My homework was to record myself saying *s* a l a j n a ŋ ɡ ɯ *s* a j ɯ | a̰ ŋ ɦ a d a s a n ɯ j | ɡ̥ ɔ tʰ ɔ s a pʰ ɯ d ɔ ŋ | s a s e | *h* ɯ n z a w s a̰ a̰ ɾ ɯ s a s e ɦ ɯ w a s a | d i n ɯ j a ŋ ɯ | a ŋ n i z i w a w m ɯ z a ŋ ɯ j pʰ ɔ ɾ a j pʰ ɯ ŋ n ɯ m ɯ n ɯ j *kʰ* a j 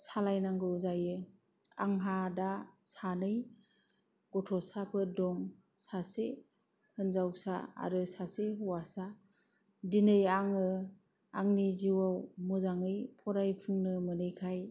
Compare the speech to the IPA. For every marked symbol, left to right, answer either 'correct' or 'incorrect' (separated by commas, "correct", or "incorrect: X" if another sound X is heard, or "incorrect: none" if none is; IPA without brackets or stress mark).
correct, incorrect: z, correct, correct